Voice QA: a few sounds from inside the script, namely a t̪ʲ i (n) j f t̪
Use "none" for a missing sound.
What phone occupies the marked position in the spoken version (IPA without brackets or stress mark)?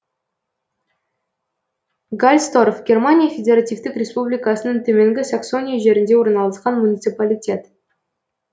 none